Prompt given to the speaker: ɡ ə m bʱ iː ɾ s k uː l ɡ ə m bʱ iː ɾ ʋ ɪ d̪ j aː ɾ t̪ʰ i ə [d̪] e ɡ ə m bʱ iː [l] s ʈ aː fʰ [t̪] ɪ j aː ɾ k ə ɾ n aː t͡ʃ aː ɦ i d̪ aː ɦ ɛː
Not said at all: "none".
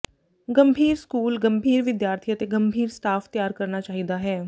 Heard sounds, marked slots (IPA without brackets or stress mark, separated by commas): t̪, ɾ, t̪